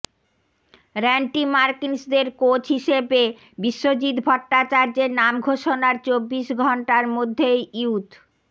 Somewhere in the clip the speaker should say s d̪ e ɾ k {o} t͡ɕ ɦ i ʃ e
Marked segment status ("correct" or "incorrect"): correct